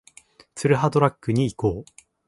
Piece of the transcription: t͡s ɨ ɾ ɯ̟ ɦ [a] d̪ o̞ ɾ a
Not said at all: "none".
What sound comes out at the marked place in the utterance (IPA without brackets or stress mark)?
a